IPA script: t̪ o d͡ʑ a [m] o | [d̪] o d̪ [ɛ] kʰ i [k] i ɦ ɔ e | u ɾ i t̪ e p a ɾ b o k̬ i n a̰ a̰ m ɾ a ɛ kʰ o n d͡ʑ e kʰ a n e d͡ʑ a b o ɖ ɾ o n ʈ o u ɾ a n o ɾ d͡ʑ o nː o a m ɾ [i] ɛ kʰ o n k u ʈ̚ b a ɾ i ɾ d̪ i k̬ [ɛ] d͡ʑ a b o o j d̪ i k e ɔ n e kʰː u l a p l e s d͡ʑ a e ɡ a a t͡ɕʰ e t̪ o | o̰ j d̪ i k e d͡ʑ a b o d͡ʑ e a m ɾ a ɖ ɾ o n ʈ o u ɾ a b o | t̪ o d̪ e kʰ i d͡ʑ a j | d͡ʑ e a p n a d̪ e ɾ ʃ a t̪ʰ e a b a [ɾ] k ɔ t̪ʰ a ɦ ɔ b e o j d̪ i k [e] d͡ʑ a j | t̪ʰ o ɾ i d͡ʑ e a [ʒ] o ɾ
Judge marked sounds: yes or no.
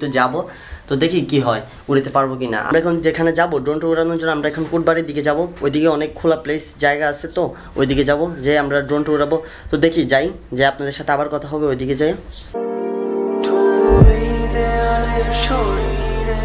no, no, no, yes, no, no, yes, yes, no

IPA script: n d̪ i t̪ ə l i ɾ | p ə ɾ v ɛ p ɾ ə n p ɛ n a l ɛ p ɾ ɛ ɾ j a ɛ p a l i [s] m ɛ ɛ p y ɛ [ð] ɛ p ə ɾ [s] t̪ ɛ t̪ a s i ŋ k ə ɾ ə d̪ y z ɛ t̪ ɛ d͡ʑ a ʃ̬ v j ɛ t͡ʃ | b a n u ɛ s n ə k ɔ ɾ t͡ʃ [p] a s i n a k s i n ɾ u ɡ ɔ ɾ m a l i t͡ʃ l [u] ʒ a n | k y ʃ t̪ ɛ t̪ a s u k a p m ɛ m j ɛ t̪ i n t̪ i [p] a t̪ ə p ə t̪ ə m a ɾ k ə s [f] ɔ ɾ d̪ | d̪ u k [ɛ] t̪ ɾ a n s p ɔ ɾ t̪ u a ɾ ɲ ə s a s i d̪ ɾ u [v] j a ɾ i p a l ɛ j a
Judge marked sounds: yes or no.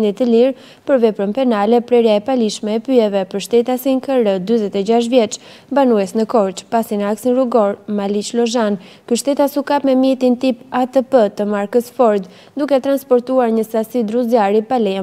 no, no, no, yes, no, yes, yes, yes, no

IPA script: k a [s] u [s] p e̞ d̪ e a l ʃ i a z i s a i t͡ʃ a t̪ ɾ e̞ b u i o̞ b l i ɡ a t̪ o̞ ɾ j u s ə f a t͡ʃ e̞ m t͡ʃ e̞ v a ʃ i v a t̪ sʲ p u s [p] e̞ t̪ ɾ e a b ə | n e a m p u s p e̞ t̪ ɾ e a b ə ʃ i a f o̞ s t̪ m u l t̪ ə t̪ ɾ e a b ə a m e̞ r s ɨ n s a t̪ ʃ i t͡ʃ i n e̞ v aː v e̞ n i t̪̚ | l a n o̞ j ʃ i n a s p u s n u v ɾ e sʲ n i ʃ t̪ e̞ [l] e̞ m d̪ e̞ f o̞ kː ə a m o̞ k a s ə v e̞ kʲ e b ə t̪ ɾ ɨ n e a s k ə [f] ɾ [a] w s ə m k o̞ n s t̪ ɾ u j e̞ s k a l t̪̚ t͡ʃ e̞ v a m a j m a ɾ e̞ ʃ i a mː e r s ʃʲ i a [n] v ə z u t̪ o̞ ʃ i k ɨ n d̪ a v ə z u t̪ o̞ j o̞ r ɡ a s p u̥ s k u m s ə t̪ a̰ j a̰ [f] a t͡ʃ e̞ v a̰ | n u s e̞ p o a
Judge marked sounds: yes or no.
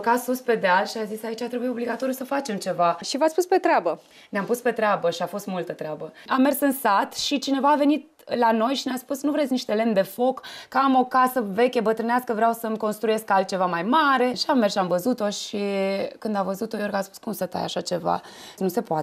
yes, yes, yes, yes, no, yes, no, no

